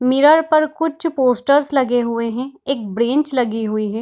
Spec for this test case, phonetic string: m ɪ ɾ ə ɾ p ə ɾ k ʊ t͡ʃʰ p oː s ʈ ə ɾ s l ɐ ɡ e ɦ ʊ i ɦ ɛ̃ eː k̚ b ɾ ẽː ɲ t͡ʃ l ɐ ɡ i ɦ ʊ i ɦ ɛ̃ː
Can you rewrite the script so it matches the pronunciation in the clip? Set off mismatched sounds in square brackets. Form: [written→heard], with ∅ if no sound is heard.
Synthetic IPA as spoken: m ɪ ɾ ə ɾ p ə ɾ k ʊ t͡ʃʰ p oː s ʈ ə ɾ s l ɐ ɡ e ɦ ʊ [i→e] ɦ ɛ̃ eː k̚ b ɾ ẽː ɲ t͡ʃ l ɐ ɡ i ɦ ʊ i ɦ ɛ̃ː